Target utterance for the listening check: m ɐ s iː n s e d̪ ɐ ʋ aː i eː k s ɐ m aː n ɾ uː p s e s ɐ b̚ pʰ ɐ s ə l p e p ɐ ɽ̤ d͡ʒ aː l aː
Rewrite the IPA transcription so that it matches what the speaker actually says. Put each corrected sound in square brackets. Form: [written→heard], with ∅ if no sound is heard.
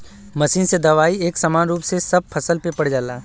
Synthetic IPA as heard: m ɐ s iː n s e d̪ ɐ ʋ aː i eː k s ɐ m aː n ɾ uː p s e s ɐ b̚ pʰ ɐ s ə l p e p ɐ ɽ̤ d͡ʒ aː l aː